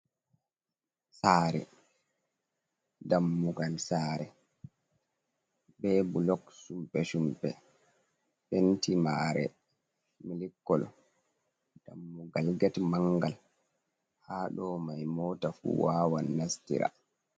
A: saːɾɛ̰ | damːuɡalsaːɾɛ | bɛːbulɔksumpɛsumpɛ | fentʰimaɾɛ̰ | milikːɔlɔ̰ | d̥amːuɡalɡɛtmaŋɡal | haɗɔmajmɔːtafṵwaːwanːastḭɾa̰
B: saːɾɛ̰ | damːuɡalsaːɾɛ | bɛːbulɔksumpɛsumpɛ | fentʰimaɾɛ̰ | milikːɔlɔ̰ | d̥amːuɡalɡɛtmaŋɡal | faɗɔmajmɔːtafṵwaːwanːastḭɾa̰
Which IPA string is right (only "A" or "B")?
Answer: A